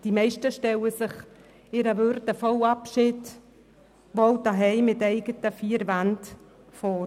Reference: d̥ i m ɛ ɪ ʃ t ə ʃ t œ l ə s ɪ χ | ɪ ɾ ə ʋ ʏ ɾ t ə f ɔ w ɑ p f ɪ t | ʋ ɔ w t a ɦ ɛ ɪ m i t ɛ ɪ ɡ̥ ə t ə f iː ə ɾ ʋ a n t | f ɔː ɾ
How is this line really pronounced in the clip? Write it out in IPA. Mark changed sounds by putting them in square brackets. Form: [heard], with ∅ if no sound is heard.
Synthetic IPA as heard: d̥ i m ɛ ɪ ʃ t ə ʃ t [ɛ] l ə s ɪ χ | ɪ ɾ ə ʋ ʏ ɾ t ə f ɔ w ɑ p [ʃ] ɪ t | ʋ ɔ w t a ɦ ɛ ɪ m [ɪ] t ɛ ɪ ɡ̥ ə t ə f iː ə ɾ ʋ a n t | f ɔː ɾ